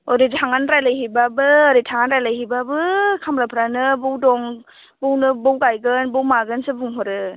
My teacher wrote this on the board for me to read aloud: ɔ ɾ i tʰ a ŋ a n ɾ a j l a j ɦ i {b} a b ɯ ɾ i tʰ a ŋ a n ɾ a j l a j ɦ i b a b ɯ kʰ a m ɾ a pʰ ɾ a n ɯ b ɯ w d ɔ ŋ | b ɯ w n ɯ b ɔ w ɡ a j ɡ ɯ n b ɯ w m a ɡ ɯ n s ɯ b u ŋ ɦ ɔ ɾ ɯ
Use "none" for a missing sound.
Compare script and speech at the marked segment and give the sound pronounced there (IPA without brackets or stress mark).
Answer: b